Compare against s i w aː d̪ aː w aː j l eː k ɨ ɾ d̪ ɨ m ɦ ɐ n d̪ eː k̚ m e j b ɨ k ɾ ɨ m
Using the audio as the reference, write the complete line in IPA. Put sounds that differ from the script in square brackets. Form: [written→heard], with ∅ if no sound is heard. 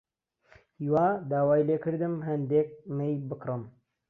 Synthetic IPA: [s→h] i w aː d̪ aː w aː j l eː k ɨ ɾ d̪ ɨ m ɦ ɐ n d̪ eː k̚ m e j b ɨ k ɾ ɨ m

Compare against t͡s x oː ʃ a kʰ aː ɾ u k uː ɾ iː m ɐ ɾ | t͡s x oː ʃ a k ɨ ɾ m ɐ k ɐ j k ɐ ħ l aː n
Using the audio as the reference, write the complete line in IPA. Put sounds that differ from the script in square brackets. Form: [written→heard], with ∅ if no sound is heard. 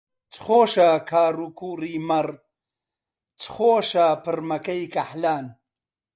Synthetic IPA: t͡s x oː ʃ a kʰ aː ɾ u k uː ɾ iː m ɐ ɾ | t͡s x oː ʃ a [k→p] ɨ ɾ m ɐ k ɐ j k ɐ ħ l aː n

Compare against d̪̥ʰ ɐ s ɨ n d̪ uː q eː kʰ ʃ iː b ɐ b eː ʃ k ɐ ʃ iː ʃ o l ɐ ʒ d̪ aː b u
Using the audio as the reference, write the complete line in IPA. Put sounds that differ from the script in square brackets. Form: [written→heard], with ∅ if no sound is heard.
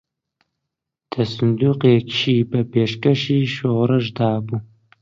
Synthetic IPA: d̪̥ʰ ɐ s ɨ n d̪ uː q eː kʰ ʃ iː b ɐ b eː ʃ k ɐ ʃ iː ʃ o [l→ɾ] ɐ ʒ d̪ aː b u

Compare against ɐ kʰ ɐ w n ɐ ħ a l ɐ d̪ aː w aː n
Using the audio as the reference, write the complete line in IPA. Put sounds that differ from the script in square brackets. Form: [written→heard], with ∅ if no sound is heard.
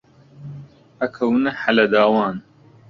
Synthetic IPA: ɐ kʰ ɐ w n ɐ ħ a l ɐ d̪ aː w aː n

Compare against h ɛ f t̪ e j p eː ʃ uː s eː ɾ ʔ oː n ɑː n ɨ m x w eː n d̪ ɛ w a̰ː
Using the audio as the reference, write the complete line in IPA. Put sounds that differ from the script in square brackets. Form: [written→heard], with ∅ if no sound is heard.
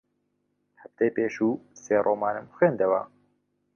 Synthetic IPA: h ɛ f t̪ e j p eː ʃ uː s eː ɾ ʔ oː [n→m] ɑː n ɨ m x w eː n d̪ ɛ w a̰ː

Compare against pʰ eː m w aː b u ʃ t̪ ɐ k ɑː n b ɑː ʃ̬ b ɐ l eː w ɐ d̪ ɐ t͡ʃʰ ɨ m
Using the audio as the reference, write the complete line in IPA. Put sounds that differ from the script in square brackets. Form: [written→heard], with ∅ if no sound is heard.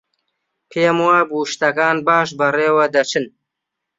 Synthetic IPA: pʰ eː m w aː b u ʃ t̪ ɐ k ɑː n b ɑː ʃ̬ b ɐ [l→r] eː w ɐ d̪ ɐ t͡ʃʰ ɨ [m→n]

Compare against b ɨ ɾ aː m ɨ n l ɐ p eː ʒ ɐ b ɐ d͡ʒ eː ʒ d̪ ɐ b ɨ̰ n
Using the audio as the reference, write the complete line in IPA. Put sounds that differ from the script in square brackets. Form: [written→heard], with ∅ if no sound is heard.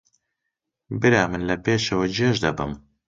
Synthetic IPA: b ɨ ɾ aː m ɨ n l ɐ p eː [ʒ→ʃ] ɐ [b→w] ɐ d͡ʒ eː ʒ d̪ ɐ b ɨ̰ [n→m]

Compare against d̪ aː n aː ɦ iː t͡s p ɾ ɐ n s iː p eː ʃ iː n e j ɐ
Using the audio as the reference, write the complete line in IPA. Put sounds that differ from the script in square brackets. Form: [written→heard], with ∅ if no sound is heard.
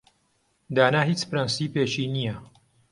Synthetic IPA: d̪ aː n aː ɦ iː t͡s p ɾ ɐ n s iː p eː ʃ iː n [e→i] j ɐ

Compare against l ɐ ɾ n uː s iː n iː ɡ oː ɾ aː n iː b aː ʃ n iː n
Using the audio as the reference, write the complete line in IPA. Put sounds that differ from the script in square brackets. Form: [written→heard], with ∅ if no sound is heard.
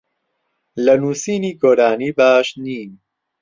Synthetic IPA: l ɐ [ɾ→∅] n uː s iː n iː ɡ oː ɾ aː n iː b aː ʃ n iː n

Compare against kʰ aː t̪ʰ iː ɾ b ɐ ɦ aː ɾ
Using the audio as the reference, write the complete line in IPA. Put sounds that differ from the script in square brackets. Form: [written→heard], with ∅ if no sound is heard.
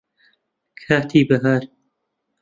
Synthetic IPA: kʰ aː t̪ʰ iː [ɾ→∅] b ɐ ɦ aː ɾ

